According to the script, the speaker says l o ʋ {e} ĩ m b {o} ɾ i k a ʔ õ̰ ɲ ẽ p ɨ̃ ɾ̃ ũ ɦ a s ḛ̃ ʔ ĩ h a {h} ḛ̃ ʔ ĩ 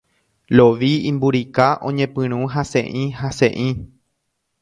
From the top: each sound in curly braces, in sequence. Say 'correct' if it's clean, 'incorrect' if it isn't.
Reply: incorrect, incorrect, incorrect

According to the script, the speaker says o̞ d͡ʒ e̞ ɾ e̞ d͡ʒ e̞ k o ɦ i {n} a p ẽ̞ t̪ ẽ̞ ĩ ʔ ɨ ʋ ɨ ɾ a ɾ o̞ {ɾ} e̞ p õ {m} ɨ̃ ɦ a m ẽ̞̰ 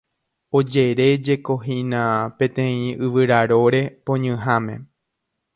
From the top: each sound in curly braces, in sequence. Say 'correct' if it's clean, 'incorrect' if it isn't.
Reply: correct, correct, incorrect

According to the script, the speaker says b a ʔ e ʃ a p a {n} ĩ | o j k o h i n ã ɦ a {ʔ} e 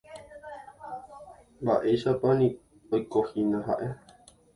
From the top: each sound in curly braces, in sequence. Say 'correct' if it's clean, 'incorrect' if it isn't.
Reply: correct, correct

